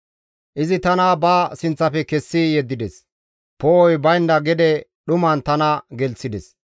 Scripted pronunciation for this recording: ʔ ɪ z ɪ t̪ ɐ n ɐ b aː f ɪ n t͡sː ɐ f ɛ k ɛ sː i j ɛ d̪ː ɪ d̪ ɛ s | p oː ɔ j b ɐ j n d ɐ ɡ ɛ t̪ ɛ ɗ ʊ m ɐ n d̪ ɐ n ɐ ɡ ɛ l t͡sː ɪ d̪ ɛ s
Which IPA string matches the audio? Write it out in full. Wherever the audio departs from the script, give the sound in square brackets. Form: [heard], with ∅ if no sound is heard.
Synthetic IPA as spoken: ʔ ɪ z ɪ t̪ ɐ n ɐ b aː [s] ɪ n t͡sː ɐ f ɛ k ɛ sː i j ɛ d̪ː ɪ d̪ ɛ s | p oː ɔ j b ɐ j n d ɐ ɡ ɛ [d̪] ɛ ɗ ʊ m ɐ n [t̪] ɐ n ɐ ɡ ɛ l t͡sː ɪ d̪ ɛ s